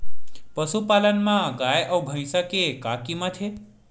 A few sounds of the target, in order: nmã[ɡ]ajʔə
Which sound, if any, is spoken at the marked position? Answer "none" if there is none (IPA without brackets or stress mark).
ɡ